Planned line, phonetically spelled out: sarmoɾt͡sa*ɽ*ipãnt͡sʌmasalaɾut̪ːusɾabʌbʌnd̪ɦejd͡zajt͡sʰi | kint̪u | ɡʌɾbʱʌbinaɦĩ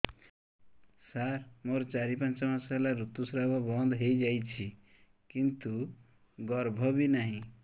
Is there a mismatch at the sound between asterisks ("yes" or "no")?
yes